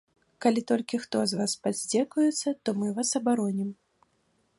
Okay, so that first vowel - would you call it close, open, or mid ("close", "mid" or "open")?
open